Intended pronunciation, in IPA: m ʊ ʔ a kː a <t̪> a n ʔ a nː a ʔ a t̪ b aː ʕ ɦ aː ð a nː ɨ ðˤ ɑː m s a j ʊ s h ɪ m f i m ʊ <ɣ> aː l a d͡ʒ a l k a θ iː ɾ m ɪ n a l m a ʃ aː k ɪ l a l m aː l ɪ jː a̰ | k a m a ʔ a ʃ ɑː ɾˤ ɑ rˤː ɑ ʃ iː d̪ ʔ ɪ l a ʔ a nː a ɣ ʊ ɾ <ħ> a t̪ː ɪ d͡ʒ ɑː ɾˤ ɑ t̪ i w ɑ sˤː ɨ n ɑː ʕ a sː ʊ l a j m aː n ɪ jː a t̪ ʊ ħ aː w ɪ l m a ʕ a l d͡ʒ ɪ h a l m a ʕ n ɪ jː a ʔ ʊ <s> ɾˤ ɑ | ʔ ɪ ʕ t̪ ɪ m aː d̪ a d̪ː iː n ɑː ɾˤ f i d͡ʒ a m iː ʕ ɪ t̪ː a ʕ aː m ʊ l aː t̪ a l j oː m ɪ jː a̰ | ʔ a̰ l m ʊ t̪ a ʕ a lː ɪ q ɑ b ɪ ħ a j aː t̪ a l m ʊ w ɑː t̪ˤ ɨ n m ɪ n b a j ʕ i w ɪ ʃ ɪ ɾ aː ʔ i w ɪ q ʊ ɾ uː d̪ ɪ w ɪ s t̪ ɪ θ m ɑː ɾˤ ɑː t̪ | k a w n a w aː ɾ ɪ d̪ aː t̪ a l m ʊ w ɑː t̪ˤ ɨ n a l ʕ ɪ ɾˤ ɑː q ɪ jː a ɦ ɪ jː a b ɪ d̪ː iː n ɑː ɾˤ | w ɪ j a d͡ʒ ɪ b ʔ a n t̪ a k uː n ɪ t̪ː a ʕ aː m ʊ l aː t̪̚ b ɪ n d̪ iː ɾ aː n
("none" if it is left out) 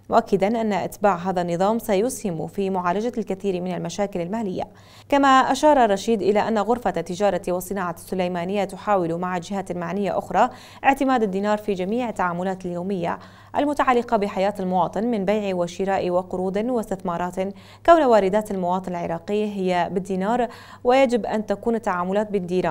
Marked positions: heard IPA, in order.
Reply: d̪, ʕ, f, x

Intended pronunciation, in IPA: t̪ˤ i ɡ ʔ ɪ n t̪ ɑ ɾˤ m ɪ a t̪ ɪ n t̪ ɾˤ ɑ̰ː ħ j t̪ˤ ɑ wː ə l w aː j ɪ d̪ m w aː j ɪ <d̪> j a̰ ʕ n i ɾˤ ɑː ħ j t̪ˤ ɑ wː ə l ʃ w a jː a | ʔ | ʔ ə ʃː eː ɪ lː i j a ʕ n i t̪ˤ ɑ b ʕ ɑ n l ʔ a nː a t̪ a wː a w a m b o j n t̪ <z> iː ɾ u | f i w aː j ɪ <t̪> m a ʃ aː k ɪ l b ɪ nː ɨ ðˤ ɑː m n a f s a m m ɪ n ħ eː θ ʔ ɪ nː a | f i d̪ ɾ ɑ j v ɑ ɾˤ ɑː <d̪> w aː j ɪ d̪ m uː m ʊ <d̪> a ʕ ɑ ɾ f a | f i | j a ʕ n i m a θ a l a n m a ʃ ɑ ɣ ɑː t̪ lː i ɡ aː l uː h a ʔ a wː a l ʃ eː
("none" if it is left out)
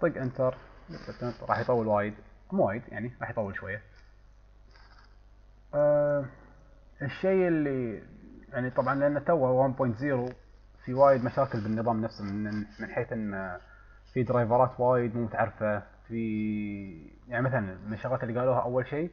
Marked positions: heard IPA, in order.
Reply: d̪, z, d̪, t̪, t̪

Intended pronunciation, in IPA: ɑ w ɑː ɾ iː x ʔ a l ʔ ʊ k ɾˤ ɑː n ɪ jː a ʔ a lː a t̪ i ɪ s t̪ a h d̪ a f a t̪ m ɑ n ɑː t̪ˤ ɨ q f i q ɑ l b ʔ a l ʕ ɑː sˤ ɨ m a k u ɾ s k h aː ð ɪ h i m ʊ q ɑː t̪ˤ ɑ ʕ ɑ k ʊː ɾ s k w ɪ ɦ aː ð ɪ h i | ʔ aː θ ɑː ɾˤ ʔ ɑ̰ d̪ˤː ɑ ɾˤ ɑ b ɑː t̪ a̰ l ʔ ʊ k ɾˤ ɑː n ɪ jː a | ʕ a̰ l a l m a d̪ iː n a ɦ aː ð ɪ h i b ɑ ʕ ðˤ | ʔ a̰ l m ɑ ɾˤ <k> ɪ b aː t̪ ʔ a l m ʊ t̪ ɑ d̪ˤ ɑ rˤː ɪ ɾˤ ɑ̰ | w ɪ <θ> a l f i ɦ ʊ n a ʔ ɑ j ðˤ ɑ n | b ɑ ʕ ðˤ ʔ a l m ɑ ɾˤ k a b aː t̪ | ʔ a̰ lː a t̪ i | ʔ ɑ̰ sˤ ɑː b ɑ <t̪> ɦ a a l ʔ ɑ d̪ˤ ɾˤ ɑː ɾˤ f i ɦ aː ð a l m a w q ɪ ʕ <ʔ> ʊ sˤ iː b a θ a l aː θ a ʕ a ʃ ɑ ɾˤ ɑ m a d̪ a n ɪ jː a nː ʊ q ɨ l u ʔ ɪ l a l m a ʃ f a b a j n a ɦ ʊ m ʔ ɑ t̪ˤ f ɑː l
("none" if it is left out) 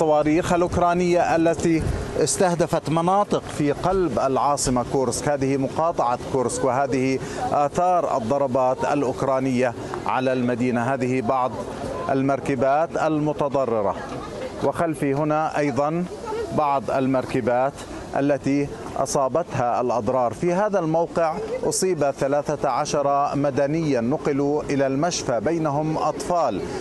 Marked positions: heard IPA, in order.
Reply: k, x, t̪, ʔ

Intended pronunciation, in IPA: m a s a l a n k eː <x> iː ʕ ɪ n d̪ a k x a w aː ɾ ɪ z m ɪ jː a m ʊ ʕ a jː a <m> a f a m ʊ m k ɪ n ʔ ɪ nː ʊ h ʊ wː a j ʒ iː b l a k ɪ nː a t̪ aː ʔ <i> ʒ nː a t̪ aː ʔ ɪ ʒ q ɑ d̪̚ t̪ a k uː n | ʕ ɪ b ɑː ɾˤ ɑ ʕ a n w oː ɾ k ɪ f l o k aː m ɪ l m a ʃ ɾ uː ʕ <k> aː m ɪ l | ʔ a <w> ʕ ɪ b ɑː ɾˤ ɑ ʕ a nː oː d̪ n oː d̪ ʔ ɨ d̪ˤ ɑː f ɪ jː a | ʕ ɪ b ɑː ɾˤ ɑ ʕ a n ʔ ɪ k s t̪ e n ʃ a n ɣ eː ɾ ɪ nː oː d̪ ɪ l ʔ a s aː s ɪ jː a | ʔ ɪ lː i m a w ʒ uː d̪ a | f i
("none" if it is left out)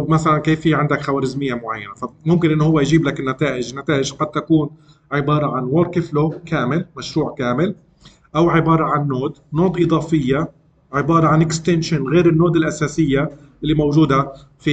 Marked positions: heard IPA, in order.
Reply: f, n, ɪ, k, w

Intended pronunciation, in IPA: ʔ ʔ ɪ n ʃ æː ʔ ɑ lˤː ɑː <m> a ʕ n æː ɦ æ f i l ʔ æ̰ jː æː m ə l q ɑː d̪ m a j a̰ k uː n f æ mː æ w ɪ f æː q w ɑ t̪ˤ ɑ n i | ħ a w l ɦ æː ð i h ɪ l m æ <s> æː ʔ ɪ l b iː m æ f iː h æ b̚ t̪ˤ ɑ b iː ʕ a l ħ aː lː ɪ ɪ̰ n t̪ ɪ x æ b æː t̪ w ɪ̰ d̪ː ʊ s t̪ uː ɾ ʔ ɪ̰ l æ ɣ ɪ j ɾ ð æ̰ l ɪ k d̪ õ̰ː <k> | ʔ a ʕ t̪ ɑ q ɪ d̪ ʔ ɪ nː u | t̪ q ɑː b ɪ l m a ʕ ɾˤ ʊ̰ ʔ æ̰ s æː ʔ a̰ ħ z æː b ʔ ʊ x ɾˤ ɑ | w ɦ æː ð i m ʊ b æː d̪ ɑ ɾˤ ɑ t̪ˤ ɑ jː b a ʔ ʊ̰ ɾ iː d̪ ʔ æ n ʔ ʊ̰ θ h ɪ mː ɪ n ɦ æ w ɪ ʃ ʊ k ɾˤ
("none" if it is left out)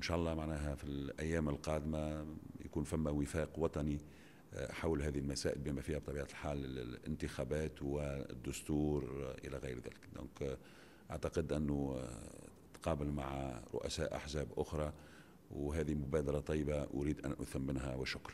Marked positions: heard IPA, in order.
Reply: m, s, k

